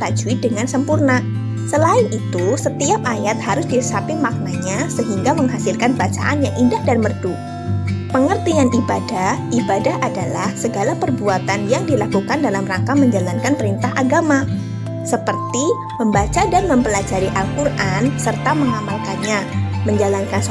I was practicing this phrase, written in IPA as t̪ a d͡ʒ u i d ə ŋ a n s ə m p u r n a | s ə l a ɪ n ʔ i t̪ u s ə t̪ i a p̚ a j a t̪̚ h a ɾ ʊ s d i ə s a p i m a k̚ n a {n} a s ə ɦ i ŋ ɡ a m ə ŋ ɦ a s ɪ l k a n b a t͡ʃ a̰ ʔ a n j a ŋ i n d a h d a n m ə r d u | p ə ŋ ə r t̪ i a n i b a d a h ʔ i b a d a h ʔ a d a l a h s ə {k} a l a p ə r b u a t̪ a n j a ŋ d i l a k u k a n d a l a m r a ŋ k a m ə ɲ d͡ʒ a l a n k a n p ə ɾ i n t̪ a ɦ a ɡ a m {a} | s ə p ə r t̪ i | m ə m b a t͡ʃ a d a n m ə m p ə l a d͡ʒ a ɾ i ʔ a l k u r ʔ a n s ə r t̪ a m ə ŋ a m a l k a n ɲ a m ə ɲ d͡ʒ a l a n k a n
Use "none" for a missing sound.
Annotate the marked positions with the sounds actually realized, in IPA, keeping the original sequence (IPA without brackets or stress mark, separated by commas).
ɲ, ɡ, a